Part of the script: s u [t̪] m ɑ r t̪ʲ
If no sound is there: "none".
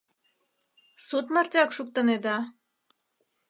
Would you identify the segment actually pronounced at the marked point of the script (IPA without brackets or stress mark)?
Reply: t̪